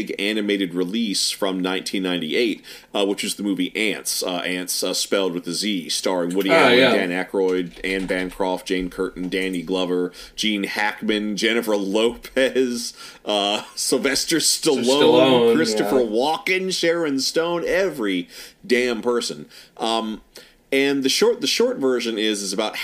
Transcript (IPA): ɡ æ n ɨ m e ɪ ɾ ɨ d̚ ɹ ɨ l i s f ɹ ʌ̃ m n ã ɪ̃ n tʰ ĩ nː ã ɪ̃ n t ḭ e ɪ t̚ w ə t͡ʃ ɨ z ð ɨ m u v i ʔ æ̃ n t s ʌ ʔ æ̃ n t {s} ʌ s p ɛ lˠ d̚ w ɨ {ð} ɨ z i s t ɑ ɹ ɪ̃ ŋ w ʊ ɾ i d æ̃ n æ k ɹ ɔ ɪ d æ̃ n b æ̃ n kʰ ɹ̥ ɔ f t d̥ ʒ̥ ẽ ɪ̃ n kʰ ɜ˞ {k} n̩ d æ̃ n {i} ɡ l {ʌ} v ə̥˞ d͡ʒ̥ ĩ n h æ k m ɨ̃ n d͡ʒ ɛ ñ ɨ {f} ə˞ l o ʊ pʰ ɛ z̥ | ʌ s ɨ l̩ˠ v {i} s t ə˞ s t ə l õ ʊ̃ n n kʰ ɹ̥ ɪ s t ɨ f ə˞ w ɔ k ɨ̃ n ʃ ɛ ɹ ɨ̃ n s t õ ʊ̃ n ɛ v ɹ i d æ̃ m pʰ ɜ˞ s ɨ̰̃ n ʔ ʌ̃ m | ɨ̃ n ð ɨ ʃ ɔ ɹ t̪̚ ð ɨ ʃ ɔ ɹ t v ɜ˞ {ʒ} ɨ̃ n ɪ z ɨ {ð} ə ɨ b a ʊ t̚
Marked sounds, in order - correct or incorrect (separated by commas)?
correct, correct, incorrect, correct, correct, correct, incorrect, correct, incorrect